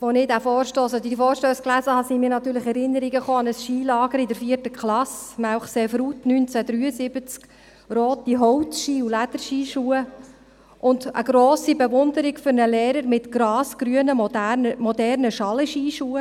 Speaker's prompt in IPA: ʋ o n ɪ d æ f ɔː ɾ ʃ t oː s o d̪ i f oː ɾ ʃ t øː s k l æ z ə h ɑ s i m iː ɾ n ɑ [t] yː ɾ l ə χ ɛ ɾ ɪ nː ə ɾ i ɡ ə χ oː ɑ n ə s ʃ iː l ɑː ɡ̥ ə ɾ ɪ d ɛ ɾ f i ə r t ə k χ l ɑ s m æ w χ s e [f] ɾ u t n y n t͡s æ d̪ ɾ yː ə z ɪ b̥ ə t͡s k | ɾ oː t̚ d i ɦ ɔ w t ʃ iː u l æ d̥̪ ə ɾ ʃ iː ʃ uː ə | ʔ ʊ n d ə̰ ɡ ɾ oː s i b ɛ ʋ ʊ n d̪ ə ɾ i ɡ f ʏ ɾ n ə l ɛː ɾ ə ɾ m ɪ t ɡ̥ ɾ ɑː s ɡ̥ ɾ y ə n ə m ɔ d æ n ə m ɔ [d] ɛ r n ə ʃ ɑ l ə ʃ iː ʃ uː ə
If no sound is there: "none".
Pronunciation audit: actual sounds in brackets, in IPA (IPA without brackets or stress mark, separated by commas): t, f, d